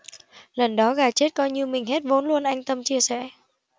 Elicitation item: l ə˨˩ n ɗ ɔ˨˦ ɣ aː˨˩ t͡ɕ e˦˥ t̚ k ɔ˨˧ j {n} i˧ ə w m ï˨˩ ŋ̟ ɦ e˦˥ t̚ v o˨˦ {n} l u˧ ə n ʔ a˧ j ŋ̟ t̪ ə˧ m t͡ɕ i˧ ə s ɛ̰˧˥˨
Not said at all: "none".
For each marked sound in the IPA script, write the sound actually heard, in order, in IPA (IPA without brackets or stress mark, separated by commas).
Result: ɲ, n